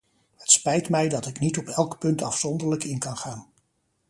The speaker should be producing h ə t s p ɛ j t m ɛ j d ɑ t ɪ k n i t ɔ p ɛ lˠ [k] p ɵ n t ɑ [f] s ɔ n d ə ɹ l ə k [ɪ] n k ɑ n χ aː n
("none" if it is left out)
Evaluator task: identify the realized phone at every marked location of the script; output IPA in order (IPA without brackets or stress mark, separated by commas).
k, f, ɪ